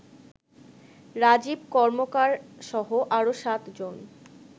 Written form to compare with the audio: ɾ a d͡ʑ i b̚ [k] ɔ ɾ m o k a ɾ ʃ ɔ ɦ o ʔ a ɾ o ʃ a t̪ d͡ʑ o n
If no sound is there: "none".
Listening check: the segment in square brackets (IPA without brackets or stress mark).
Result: k